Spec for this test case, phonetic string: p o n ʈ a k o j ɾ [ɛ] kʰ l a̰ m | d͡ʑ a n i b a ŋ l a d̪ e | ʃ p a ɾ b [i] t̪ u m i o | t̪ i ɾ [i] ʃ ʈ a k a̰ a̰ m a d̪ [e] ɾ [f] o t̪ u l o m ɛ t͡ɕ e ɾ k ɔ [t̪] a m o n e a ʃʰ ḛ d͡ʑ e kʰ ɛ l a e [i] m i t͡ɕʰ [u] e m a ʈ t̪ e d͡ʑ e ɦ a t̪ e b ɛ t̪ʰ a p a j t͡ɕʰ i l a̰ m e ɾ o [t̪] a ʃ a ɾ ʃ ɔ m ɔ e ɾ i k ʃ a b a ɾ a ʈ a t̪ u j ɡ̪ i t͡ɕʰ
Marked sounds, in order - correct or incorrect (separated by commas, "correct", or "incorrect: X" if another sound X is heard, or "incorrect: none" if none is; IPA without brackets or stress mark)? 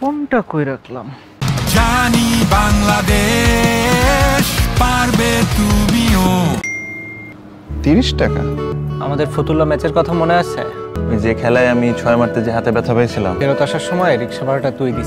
incorrect: a, incorrect: e, correct, correct, correct, incorrect: t̪ʰ, incorrect: a, incorrect: ɔ, correct